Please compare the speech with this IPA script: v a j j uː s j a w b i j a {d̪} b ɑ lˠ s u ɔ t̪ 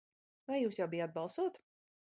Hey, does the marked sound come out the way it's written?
yes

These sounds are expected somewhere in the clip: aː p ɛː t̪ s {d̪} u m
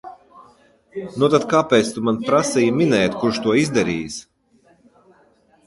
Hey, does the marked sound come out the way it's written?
no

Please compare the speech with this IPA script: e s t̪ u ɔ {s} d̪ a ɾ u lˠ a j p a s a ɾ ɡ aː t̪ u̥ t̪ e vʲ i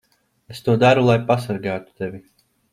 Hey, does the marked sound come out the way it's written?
no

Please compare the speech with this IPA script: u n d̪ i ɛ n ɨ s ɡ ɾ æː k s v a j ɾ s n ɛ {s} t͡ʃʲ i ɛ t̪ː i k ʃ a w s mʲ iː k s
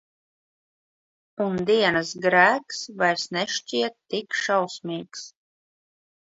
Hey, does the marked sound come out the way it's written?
no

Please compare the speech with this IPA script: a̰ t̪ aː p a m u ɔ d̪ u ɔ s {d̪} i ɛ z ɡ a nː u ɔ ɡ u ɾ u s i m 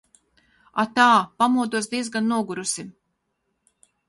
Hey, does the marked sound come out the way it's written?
yes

